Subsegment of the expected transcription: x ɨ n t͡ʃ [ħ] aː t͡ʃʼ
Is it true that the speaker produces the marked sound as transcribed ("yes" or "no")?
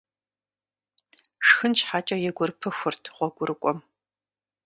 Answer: yes